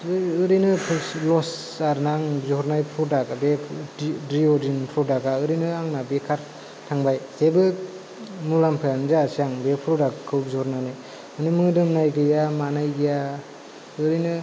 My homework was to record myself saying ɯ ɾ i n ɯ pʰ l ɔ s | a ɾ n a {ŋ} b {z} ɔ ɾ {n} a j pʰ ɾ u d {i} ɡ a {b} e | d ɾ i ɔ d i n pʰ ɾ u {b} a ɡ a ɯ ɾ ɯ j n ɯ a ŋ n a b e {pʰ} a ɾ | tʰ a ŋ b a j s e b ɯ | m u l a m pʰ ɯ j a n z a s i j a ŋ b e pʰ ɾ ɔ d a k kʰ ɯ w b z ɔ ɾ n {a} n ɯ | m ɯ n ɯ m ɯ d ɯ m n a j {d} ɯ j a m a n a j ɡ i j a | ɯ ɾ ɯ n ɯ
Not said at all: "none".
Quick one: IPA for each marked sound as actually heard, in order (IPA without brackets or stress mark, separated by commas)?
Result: ŋ, z, n, a, b, d, kʰ, a, ɡ